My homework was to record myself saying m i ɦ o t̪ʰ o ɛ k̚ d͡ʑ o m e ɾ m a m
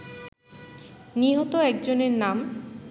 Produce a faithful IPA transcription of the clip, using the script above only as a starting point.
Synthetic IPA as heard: n i ɦ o t̪ o ɛ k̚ d͡ʑ o n e ɾ n a m